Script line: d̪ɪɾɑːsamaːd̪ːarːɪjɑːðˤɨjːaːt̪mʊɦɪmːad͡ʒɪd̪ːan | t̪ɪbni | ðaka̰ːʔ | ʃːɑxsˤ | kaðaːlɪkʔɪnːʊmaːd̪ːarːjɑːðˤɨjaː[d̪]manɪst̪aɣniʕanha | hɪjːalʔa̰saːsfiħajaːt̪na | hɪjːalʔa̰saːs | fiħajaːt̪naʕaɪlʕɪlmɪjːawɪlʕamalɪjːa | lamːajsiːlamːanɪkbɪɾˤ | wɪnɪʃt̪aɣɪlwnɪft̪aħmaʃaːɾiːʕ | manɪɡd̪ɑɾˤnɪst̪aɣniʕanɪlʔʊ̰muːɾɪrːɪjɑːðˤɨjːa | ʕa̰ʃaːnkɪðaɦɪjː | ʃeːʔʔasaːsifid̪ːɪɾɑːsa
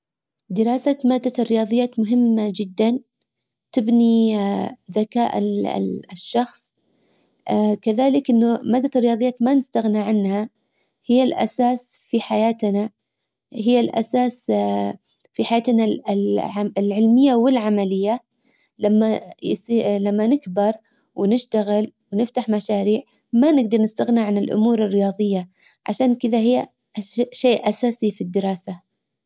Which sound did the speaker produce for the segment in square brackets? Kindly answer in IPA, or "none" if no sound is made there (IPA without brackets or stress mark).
t̪